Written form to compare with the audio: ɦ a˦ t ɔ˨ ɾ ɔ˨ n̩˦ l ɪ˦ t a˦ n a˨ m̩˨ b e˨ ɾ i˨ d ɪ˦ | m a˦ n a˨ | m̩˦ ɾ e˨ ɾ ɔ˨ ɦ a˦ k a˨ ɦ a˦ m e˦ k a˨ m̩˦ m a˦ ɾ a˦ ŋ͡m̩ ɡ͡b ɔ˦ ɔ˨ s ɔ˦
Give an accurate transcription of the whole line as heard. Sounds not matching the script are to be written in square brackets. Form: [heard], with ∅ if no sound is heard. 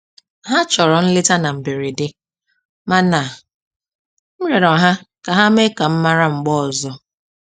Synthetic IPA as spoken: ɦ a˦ [t͡ʃ] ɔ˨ ɾ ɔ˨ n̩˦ l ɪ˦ t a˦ n a˨ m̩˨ b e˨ ɾ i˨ d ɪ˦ | m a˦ n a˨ | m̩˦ ɾ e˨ ɾ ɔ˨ ɦ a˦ k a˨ ɦ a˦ m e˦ k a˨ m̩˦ m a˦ ɾ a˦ ŋ͡m̩ ɡ͡b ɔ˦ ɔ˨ [z] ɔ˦